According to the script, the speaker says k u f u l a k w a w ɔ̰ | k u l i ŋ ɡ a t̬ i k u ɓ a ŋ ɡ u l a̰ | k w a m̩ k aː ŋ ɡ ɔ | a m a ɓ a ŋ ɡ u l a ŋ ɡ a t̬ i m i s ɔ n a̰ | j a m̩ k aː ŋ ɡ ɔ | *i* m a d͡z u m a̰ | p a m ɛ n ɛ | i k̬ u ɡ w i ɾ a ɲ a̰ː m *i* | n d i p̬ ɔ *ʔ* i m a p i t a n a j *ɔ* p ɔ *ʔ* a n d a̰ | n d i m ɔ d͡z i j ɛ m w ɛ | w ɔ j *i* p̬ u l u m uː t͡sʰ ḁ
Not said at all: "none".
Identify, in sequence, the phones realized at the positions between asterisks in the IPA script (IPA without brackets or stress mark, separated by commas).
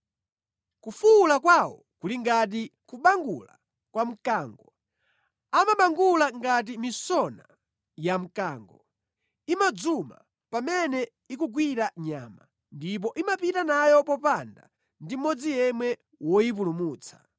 i, a, ʔ, ɔ, p, i